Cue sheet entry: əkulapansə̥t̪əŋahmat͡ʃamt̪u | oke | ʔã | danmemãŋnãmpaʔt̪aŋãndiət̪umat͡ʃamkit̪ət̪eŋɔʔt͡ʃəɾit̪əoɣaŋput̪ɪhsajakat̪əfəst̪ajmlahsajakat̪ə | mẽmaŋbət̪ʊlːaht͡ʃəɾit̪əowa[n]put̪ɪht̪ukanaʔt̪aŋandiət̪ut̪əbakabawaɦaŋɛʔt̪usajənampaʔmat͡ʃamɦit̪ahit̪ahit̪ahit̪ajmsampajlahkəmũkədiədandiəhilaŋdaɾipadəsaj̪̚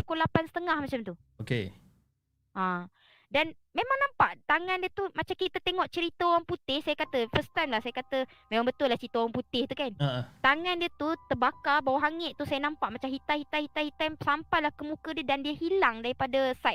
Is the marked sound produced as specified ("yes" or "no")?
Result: no